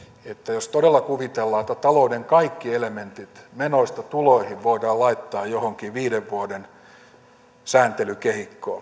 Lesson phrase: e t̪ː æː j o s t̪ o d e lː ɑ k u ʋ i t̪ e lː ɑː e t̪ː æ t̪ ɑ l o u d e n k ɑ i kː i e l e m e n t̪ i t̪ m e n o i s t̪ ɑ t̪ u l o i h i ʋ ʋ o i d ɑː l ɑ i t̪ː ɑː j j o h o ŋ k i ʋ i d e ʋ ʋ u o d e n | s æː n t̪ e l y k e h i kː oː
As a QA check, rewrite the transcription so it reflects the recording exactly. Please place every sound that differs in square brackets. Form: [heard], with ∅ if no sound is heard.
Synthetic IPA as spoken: e t̪ː [æ] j o s t̪ o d e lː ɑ k u ʋ i t̪ e lː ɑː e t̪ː æ t̪ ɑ l o u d e [ŋ] k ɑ i kː i e l e m e n t̪ i t̪ m e n o i s t̪ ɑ t̪ u l o i h i ʋ ʋ o i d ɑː l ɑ i t̪ː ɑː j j o h o ŋ k i ʋ [iː] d e ʋ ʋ u o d e n | s æː n t̪ e l y k e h i kː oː